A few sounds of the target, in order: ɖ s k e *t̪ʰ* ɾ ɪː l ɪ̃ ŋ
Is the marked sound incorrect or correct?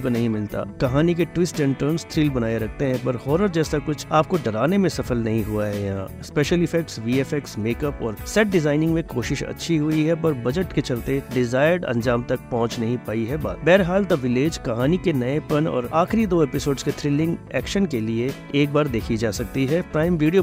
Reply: correct